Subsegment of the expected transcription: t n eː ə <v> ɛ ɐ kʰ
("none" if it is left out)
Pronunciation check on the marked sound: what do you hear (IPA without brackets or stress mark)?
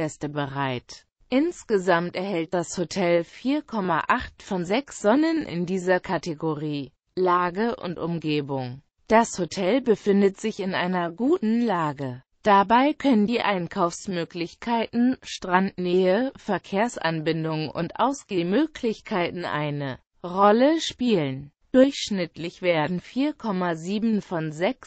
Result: f